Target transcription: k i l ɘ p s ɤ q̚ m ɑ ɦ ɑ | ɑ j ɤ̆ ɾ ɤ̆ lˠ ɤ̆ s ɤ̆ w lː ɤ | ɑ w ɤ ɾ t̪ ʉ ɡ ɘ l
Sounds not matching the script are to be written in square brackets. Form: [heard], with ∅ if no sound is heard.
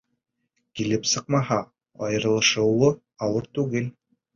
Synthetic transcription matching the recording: k i l ɘ p s ɤ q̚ m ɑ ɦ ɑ | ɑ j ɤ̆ ɾ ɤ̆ lˠ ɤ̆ [ʃ] ɤ̆ w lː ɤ | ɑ w ɤ ɾ t̪ ʉ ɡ ɘ l